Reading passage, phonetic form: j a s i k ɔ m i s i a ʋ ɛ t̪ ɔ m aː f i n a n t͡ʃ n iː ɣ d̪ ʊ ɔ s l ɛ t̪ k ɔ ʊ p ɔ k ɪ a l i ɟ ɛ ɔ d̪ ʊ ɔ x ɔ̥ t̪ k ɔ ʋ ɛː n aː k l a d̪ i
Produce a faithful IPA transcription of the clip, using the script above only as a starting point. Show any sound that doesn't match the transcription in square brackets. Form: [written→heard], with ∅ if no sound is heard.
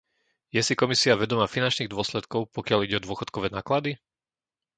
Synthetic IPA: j [a→ɛ] s i k ɔ m i s i a ʋ ɛ [t̪→d̪] ɔ m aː f i n a n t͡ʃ n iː ɣ d̪ ʊ ɔ s l ɛ t̪ k ɔ ʊ p ɔ k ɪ a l i ɟ ɛ ɔ d̪ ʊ ɔ x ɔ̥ t̪ k ɔ ʋ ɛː n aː k l a d̪ i